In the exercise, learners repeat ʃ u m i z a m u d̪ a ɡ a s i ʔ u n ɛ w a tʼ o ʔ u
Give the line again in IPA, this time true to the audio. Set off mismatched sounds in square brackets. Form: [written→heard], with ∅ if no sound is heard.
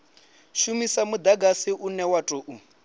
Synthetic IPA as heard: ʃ u m i [z→s] a m u d̪ a ɡ a s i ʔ u n ɛ w a tʼ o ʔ u